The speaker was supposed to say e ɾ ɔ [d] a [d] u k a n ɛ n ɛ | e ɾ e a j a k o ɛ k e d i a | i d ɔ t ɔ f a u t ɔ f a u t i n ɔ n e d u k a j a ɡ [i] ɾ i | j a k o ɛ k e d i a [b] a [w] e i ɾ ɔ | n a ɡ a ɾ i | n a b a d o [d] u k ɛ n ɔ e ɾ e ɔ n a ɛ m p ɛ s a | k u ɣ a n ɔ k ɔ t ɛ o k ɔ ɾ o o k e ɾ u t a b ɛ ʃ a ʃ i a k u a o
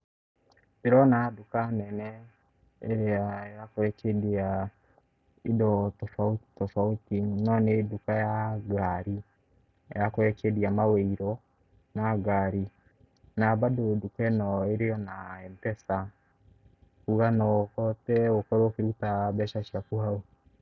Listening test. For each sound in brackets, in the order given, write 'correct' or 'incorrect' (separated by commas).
incorrect, correct, incorrect, incorrect, correct, correct